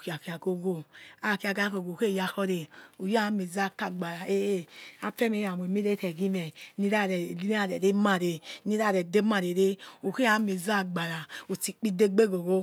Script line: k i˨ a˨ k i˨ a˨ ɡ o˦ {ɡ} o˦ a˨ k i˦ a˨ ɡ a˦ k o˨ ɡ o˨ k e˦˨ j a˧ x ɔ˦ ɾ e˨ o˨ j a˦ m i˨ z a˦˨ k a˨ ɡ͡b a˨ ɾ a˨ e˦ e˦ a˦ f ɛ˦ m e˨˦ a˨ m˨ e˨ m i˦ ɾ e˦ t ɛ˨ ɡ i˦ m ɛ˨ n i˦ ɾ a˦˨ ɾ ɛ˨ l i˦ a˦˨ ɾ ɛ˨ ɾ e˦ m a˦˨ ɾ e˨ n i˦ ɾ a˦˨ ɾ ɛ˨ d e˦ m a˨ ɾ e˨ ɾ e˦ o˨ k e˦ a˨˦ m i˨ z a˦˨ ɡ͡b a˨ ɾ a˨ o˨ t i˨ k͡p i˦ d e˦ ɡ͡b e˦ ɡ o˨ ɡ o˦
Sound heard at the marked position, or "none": ɡ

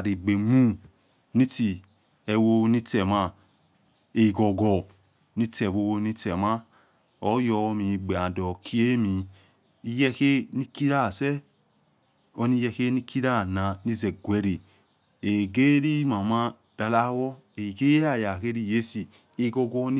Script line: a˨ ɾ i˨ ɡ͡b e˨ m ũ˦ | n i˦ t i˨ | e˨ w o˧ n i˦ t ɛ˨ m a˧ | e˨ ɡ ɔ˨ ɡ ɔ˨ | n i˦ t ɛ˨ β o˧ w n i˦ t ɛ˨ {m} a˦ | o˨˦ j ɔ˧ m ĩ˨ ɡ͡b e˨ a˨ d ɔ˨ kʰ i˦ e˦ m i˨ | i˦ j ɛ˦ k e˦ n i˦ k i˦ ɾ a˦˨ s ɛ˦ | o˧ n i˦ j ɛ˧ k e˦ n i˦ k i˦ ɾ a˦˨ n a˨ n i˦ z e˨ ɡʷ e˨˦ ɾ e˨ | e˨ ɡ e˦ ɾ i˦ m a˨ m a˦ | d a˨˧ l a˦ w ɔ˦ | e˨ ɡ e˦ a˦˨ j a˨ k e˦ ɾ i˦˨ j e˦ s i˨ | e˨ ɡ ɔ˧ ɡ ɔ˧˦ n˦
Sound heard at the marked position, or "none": m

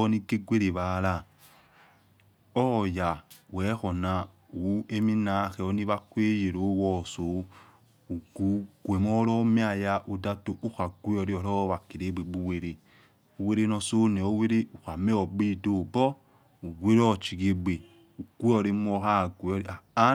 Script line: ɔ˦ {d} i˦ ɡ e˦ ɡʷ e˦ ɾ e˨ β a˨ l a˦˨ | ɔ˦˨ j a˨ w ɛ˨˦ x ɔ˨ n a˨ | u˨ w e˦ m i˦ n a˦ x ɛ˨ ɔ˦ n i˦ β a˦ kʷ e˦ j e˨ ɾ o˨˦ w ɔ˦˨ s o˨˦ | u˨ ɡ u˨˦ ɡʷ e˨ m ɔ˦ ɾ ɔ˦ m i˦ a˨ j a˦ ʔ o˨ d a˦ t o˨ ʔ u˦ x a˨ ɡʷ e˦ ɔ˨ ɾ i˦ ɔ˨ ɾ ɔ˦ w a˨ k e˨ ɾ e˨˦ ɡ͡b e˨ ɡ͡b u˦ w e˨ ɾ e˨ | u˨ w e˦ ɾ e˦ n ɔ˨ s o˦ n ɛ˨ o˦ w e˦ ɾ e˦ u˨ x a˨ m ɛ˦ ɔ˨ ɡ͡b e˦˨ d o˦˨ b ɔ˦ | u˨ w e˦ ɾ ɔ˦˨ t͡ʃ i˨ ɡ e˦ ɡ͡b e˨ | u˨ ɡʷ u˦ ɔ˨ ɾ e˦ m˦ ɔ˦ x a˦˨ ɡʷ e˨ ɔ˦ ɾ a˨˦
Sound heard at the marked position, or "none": n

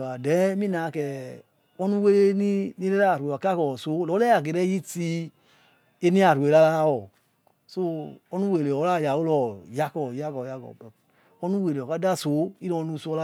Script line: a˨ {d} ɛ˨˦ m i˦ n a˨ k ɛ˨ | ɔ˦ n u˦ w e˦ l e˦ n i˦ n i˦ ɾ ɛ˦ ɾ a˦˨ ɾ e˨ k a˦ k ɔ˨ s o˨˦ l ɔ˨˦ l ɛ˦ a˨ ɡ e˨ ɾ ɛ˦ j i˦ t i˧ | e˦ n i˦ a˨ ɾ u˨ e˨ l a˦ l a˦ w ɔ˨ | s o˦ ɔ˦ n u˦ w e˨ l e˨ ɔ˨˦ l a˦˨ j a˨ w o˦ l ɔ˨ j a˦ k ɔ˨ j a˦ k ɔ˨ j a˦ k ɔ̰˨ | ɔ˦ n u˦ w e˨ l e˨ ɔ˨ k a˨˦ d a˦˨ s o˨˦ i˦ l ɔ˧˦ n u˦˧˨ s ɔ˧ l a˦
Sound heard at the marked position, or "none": d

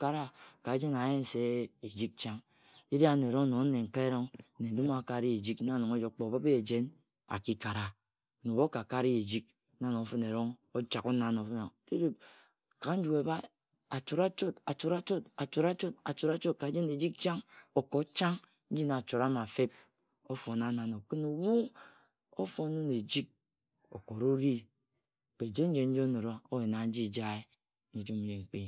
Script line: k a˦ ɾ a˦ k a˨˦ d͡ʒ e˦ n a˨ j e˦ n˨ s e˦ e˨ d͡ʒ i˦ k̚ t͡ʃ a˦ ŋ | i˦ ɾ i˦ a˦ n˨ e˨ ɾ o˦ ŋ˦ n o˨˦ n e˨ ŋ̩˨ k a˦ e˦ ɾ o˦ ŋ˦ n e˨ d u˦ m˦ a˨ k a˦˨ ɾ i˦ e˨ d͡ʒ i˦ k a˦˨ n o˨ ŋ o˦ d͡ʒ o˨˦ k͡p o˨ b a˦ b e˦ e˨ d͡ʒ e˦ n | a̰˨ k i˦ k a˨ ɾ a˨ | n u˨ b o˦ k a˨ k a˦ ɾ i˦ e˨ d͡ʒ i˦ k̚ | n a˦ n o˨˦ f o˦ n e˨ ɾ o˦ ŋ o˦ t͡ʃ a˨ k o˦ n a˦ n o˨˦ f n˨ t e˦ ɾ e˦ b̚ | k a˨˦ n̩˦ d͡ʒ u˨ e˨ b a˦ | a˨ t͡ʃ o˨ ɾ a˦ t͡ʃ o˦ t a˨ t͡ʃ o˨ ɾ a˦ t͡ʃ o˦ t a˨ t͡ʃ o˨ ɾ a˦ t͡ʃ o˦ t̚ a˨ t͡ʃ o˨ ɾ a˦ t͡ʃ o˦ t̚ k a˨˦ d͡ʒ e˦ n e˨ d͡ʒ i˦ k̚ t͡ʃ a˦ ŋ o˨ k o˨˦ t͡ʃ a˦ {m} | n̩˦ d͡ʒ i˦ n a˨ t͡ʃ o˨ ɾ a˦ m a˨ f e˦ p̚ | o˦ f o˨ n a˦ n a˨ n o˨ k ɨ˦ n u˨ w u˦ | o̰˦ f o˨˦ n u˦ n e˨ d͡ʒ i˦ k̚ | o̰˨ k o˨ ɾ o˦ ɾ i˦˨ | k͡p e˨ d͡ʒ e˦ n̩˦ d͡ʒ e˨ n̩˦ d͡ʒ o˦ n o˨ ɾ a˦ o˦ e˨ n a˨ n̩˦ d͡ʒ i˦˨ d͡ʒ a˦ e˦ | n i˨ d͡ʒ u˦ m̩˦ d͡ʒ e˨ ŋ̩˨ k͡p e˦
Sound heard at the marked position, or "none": ŋ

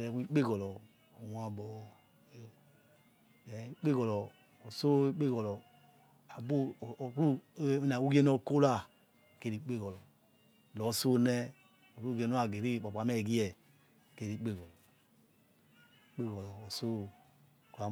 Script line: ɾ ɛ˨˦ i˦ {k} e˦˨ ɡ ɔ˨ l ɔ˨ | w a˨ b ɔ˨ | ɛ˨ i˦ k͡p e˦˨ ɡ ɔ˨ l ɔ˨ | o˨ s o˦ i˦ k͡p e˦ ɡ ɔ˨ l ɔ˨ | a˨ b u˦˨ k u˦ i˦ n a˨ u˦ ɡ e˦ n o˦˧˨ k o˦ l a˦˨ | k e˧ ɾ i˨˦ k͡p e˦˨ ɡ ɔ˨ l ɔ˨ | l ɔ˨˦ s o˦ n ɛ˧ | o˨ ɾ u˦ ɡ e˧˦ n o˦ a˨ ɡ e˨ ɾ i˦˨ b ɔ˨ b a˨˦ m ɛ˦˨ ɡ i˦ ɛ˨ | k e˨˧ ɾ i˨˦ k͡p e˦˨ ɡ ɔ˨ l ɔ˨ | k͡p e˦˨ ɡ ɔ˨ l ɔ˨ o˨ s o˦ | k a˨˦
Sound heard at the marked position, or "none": k͡p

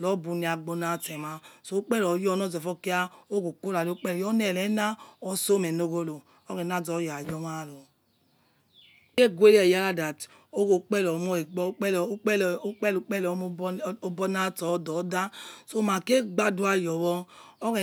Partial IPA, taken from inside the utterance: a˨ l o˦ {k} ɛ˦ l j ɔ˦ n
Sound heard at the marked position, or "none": k͡p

